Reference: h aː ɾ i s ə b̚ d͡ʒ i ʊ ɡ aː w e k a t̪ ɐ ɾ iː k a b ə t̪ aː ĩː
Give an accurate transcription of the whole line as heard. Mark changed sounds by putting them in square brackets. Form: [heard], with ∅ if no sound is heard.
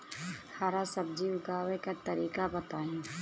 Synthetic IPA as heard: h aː ɾ [a] s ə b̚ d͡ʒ i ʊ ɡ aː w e k a t̪ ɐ ɾ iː k a b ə t̪ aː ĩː